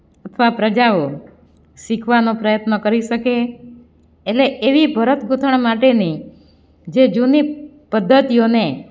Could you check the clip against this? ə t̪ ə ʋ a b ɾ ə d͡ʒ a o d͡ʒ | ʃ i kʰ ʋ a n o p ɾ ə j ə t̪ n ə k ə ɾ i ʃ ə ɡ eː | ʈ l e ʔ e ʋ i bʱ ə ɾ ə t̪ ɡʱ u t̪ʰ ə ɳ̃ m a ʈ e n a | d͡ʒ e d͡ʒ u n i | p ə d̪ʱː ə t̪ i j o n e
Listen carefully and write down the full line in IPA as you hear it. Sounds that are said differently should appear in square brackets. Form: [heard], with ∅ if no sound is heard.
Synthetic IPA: ə [t̪ʰ] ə ʋ a [p] ɾ ə d͡ʒ a o [∅] | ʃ i kʰ ʋ a n o p ɾ ə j ə t̪ n ə k ə ɾ i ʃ ə [k] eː | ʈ l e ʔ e ʋ i bʱ ə ɾ ə t̪ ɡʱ u t̪ʰ ə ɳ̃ m a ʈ e n [i] | d͡ʒ e d͡ʒ u n i | p ə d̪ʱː ə t̪ i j o n e